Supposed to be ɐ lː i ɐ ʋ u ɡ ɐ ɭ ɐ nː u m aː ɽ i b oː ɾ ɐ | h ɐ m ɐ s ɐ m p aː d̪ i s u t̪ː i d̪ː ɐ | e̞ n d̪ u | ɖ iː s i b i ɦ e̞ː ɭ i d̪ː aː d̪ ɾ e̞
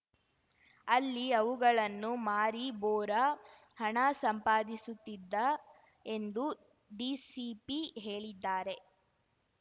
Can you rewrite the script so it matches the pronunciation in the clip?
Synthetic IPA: ɐ lː i ɐ ʋ u ɡ ɐ ɭ ɐ nː u m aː ɾ i b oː ɾ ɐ | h ɐ ɳ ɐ s ɐ m p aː d̪ i s u t̪ː i d̪ː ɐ | e̞ n d̪ u | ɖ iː s i p i ɦ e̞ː ɭ i d̪ː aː ɾ e̞